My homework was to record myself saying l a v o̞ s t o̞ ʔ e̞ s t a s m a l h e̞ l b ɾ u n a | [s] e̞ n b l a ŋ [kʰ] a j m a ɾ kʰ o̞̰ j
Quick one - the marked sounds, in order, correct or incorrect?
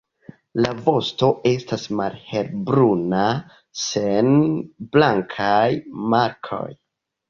correct, correct

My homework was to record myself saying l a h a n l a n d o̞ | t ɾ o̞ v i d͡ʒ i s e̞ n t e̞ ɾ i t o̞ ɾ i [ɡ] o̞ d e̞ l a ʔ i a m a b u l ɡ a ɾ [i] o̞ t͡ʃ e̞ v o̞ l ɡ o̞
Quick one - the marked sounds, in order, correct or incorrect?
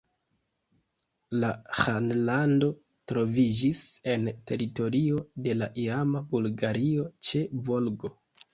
incorrect, correct

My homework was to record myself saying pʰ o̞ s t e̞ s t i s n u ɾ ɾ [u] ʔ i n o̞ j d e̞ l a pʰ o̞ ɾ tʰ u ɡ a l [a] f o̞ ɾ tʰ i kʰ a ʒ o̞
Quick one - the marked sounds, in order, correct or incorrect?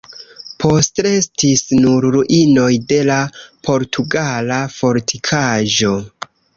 correct, correct

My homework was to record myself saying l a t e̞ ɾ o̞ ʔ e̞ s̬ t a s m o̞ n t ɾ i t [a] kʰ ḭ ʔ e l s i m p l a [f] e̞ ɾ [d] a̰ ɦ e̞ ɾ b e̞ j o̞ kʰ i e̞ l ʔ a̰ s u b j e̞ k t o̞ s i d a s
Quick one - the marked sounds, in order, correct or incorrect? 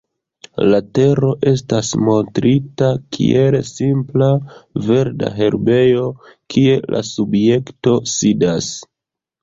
correct, incorrect, correct

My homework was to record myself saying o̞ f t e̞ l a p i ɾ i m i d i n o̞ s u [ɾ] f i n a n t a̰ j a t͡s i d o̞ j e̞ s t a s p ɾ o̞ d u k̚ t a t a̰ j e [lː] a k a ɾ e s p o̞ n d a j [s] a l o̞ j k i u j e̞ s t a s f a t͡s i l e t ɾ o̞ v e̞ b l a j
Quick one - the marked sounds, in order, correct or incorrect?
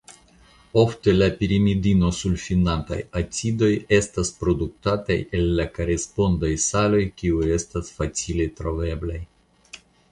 incorrect, correct, correct

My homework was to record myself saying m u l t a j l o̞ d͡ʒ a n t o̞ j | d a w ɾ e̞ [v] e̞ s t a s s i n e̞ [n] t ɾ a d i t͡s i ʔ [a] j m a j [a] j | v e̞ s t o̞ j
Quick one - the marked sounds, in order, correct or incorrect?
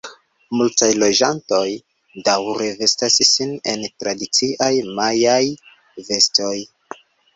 correct, correct, correct, correct

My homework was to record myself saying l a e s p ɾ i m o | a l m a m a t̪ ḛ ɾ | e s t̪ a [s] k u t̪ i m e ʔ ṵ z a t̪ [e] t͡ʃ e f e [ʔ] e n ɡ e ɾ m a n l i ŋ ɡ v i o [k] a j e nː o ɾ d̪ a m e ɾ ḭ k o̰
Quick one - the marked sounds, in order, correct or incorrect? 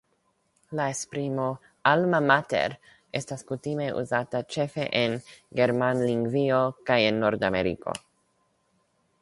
correct, incorrect, correct, correct

